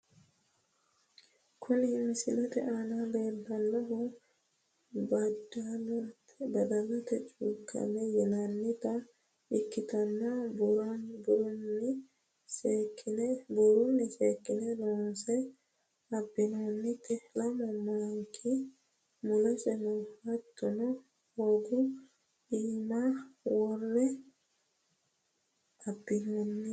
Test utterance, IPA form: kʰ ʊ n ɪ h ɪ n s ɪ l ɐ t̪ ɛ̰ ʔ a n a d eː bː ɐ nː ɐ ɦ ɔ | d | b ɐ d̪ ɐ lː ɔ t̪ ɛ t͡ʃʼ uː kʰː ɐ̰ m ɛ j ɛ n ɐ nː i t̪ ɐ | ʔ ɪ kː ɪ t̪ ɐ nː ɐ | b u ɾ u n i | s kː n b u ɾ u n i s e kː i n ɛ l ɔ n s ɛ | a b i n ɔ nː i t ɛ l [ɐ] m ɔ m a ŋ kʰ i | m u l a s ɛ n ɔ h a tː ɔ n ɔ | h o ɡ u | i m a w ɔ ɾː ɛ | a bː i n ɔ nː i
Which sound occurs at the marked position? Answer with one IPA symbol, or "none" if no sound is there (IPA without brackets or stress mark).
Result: a